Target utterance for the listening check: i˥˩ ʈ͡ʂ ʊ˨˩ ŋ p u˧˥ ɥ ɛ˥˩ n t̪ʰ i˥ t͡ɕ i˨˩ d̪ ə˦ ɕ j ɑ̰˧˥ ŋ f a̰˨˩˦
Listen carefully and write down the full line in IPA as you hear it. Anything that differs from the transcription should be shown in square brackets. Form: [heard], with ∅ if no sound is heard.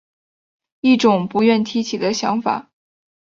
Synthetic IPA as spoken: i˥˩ ʈ͡ʂ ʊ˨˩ ŋ p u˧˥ ɥ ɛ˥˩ n t̪ʰ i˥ [t͡ɕʰ] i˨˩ d̪ ə˦ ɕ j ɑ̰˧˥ ŋ f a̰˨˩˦